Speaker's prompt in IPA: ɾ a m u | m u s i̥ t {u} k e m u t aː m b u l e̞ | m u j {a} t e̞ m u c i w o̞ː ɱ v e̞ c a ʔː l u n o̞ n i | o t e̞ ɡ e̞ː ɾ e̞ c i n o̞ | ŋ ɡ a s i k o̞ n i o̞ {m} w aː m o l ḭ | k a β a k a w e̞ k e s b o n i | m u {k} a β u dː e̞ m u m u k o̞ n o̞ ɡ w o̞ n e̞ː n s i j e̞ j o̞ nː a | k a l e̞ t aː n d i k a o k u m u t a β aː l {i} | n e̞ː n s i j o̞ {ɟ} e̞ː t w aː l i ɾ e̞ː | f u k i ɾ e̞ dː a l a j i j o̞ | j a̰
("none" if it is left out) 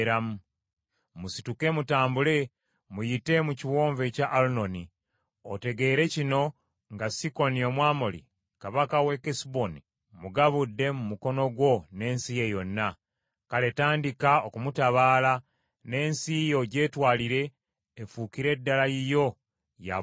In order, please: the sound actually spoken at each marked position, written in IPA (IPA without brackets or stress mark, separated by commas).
u, i, m, ɡ, a, ɟ